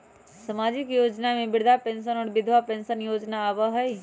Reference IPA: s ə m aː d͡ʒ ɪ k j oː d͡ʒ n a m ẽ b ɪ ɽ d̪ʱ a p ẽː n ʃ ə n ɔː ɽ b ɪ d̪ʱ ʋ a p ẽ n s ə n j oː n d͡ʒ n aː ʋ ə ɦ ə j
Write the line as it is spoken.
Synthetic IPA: s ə m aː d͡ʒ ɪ k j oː d͡ʒ n a m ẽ b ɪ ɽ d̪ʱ a p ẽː n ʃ ə n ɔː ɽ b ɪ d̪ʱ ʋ a p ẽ n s ə n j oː d͡ʒ n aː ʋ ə ɦ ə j